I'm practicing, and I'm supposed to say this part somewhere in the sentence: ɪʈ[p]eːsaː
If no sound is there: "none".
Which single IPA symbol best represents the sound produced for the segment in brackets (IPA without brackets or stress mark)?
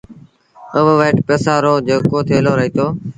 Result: p